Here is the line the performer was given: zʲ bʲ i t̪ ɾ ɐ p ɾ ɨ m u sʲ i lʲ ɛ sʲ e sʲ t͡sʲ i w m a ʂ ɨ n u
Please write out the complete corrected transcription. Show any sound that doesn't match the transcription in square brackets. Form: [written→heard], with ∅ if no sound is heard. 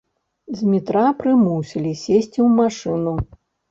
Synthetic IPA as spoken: zʲ [bʲ→mʲ] i t̪ ɾ [ɐ→a] p ɾ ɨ m u sʲ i lʲ [ɛ→i] sʲ e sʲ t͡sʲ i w m a ʂ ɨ n u